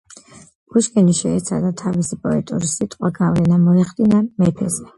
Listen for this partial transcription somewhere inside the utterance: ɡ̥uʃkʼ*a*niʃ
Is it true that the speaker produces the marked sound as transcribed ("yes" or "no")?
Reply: no